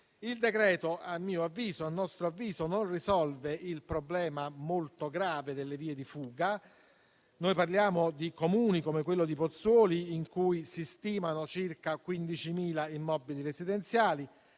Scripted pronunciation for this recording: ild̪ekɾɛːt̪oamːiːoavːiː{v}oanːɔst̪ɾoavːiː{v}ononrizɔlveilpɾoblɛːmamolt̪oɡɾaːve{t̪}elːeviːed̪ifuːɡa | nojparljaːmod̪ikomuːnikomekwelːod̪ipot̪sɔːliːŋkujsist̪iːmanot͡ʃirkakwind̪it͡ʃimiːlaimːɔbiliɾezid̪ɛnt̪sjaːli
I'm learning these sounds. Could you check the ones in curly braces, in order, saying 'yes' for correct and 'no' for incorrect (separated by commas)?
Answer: no, no, no